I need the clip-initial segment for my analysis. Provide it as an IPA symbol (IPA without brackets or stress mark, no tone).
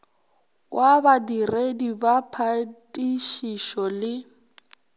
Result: w